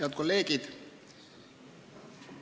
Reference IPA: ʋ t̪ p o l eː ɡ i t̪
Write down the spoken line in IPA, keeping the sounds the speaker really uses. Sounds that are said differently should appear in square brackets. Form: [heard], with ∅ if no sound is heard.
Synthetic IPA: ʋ t̪ [k] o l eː [k] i t̪